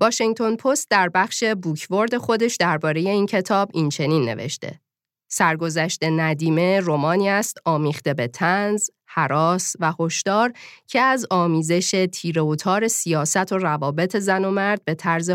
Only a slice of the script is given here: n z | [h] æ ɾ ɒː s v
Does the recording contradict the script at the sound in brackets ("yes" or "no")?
no